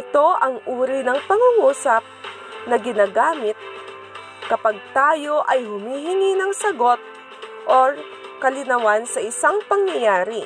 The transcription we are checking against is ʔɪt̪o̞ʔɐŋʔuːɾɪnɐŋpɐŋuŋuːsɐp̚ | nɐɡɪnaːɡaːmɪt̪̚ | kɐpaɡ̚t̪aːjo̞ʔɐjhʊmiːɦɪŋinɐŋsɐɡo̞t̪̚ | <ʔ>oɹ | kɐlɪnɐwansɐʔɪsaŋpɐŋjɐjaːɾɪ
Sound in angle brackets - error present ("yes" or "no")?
no